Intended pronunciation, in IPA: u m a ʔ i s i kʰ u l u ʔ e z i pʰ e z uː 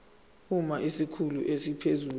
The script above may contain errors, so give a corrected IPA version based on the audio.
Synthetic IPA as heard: u m a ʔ i s i kʰ u l u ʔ e s i pʰ e z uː